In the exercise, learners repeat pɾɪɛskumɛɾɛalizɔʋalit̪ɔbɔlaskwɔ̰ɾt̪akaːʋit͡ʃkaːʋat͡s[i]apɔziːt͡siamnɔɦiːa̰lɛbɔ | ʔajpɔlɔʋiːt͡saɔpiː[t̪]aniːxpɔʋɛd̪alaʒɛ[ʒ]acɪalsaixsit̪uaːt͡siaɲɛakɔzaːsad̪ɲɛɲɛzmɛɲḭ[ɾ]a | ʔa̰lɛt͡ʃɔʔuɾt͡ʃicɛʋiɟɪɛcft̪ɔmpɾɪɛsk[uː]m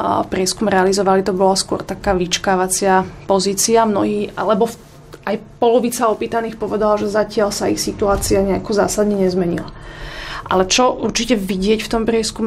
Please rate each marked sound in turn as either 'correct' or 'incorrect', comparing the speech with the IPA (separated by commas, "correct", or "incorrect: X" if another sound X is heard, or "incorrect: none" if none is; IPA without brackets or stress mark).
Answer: incorrect: ɪ, correct, incorrect: z, incorrect: l, incorrect: u